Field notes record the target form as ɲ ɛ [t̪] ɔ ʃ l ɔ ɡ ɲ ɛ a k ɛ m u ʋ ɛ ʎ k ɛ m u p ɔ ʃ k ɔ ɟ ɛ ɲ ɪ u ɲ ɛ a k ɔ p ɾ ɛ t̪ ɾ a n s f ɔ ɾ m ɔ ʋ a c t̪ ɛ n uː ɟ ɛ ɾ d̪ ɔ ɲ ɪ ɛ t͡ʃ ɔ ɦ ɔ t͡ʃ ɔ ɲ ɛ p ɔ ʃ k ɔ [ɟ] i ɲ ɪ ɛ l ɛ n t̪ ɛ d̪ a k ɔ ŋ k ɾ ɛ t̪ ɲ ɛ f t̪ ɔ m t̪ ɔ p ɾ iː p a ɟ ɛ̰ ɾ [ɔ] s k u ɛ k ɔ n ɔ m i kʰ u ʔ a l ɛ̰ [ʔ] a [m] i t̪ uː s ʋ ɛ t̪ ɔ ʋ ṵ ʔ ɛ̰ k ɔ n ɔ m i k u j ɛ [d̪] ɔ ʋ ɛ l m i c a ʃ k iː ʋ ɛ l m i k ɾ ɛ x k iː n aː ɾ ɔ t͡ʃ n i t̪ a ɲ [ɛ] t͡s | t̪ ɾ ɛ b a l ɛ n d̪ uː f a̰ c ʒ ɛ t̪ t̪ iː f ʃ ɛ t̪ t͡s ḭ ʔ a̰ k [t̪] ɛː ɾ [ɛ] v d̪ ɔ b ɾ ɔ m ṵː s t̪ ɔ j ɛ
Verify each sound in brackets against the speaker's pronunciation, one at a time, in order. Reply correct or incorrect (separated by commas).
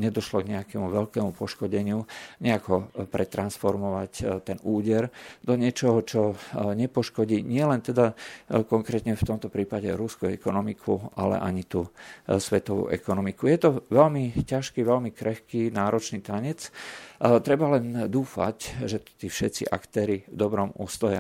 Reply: incorrect, correct, incorrect, correct, incorrect, incorrect, correct, correct, incorrect